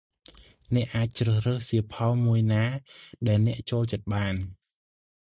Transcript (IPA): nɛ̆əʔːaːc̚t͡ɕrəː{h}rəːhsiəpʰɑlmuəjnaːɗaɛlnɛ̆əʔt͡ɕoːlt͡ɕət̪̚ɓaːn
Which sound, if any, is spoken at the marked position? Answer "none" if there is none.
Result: h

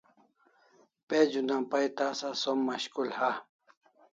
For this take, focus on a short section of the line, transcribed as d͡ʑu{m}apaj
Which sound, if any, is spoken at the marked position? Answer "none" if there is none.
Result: n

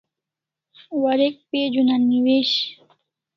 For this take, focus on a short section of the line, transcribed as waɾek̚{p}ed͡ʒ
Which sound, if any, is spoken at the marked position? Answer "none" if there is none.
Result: p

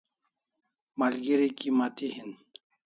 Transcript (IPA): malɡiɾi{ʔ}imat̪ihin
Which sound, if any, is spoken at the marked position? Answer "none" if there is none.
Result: k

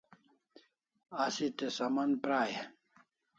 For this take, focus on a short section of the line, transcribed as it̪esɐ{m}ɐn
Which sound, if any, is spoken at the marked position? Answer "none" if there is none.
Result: m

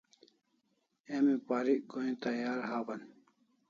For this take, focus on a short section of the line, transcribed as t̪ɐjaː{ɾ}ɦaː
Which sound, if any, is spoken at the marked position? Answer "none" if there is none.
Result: ɾ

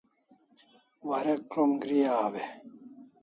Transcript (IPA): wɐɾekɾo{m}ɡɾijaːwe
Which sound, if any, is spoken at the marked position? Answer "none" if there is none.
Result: m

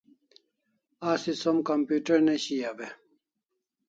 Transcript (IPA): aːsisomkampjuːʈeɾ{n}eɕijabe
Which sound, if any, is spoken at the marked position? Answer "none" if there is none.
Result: n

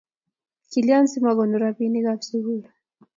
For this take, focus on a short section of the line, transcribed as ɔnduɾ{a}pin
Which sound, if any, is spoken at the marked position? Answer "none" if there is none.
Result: a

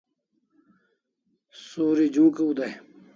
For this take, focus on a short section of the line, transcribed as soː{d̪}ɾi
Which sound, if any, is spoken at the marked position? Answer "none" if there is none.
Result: none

